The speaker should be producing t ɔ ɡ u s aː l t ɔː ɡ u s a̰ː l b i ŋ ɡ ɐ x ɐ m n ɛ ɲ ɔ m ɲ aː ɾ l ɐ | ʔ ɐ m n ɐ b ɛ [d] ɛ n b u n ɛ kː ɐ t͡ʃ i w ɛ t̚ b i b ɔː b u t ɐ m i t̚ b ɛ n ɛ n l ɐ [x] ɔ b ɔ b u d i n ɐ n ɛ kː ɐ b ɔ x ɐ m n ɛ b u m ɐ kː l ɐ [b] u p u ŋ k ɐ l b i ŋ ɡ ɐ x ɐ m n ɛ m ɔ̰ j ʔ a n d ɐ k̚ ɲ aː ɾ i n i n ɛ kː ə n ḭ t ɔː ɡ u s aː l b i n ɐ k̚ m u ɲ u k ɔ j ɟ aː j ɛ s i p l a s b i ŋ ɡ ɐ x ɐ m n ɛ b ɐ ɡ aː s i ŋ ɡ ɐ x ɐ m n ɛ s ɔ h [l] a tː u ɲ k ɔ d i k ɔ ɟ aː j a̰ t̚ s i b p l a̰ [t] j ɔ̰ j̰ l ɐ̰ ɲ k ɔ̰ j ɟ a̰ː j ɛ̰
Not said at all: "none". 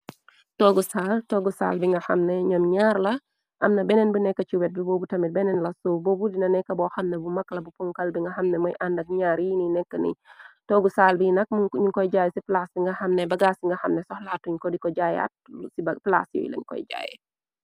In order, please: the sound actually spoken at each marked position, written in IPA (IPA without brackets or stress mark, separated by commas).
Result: n, s, b, l, s